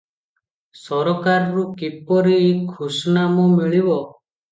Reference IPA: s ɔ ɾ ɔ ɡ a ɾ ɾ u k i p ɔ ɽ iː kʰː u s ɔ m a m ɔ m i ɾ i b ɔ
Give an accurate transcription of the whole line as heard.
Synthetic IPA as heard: s ɔ ɾ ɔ k a ɾ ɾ u k i p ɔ ɾ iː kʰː u s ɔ n a m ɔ m i ɭ i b ɔ